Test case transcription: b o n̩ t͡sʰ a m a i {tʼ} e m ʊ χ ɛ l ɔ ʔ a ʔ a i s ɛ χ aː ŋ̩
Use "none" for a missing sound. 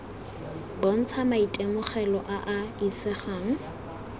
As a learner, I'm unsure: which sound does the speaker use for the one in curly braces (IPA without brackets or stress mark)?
tʼ